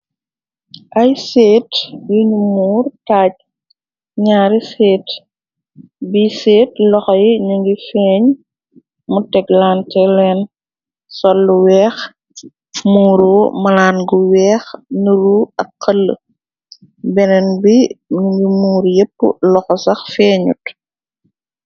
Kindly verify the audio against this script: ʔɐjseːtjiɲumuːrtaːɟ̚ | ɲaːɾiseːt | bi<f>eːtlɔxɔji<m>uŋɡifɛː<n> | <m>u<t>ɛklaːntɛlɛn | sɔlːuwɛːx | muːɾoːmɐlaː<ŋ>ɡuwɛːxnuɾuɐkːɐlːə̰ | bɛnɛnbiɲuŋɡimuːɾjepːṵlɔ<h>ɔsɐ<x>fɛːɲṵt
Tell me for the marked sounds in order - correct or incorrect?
incorrect: s, incorrect: ɲ, incorrect: ɲ, correct, correct, incorrect: n, incorrect: x, correct

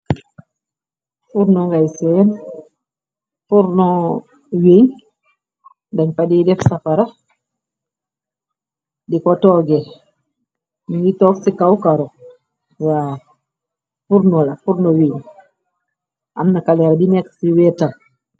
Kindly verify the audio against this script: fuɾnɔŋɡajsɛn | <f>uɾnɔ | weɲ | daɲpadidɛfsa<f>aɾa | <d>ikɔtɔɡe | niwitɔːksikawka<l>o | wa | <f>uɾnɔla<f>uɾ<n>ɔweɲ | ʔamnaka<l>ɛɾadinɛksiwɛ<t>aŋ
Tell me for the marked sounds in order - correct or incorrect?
correct, correct, correct, incorrect: ɾ, correct, correct, correct, correct, correct

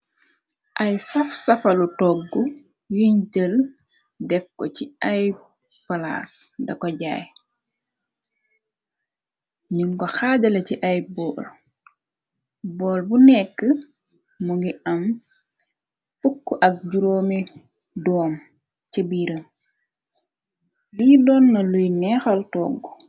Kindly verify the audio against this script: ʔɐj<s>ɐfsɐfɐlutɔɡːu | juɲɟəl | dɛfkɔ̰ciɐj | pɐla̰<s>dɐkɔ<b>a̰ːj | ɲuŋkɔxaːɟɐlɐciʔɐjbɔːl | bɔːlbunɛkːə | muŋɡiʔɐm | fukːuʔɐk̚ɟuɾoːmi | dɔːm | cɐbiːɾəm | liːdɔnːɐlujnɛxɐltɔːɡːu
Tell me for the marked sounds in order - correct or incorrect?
correct, correct, incorrect: ɟ

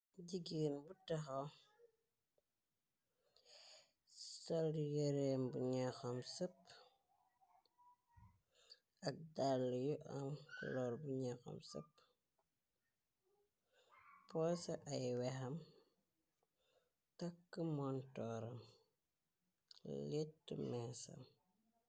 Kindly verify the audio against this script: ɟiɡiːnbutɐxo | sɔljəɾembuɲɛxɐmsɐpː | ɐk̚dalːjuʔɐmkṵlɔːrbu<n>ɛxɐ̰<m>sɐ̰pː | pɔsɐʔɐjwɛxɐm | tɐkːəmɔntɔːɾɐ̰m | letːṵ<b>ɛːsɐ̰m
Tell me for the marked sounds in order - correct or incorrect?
incorrect: ɲ, correct, incorrect: m

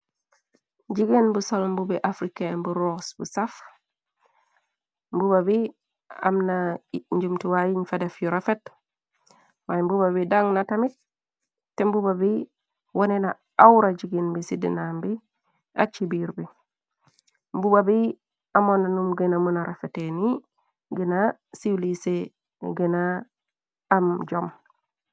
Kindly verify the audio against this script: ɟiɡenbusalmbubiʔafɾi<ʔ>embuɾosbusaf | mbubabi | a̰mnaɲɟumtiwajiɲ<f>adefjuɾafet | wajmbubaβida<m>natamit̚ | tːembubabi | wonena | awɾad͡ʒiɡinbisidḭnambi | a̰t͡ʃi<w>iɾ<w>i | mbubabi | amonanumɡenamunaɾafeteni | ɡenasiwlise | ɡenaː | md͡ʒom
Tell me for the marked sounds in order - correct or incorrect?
incorrect: k, correct, incorrect: ŋ, incorrect: b, incorrect: b

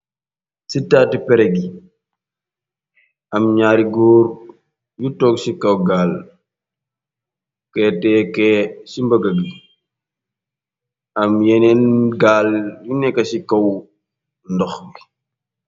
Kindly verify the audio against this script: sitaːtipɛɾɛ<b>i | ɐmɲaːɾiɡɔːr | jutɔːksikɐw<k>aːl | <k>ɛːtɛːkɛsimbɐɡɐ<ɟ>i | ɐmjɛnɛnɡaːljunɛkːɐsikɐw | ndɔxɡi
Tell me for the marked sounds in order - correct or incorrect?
incorrect: ɡ, incorrect: ɡ, correct, incorrect: ɡ

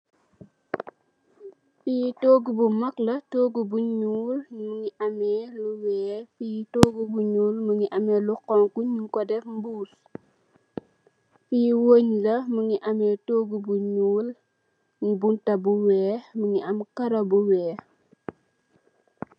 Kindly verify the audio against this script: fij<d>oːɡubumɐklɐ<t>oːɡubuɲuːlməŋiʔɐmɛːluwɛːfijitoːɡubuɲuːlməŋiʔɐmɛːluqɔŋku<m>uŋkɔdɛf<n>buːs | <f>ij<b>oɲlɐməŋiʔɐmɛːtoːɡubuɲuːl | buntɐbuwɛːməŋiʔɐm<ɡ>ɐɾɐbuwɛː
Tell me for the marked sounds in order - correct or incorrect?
incorrect: t, correct, incorrect: ɲ, incorrect: m, correct, incorrect: w, incorrect: k

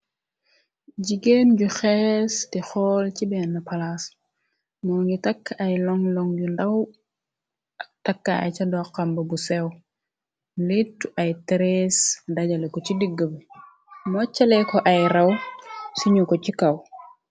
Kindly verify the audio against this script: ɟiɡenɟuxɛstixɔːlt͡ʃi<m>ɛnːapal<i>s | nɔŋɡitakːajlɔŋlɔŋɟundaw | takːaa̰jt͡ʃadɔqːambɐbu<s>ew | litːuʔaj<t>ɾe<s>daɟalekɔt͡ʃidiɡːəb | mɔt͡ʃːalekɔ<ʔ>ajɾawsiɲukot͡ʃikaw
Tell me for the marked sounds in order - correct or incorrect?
incorrect: b, incorrect: a, correct, correct, correct, correct

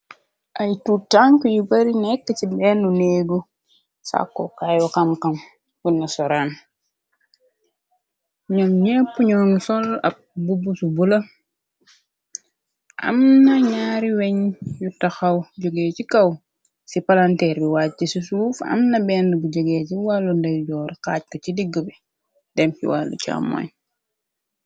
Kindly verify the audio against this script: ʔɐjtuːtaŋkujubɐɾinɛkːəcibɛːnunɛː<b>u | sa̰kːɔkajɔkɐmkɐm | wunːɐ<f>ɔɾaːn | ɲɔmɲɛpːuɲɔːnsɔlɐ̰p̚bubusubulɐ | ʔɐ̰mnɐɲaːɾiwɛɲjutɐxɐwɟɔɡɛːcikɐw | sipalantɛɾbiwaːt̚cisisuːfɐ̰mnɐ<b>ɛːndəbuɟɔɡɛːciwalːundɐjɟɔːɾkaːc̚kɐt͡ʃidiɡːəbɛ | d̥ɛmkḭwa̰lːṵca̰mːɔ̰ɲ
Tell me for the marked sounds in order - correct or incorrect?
incorrect: ɡ, incorrect: s, correct

